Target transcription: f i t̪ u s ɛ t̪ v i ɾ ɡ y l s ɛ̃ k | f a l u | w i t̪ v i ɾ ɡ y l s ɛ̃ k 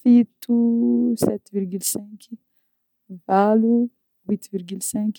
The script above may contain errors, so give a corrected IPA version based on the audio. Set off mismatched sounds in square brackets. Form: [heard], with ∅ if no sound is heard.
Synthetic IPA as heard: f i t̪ u s ɛ t̪ v i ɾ ɡ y l s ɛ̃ k | [v] a l u | w i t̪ v i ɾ ɡ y l s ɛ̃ k

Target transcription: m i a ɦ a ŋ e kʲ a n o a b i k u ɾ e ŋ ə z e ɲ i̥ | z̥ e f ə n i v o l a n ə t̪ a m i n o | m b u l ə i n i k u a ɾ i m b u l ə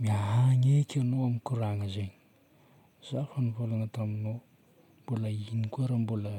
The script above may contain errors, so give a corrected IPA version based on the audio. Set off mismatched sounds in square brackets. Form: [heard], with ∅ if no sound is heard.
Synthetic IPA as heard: m i a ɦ a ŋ e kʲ a n o a [m] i k u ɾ [a] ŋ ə z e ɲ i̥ | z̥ [a] f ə n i v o l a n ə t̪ a m i n o | m b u l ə i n i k u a ɾ [a] m b u l ə

